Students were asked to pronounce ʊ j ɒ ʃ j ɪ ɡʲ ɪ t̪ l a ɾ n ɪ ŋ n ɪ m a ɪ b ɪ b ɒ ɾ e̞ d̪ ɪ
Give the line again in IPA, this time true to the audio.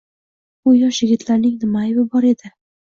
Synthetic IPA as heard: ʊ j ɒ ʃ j ɪ ɡʲ ɪ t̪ l a ɾ n ɪ ŋ n ɪ m a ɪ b ɪ b ɒ ɾ e̞ d̪ ɪ